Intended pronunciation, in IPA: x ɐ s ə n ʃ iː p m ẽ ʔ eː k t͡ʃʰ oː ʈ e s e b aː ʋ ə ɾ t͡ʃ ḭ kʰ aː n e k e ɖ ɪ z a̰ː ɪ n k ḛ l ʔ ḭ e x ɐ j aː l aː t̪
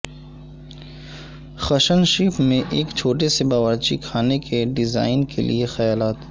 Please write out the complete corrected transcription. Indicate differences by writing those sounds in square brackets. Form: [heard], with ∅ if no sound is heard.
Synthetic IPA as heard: x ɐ [ʃ] ə n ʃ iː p m ẽ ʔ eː k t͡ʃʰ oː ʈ e s e b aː ʋ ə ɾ t͡ʃ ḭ kʰ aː n e k e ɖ ɪ z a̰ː ɪ n k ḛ l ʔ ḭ e x ɐ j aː l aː t̪